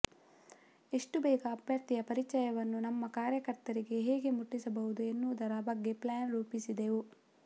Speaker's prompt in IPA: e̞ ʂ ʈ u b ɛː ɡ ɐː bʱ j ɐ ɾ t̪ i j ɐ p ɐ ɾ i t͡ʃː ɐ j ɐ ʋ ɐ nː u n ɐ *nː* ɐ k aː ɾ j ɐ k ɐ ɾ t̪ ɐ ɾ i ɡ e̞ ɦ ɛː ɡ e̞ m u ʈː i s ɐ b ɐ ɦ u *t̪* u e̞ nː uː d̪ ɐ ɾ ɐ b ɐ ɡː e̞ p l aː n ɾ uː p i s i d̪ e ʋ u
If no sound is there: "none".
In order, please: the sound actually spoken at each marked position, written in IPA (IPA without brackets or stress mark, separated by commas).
mː, d̪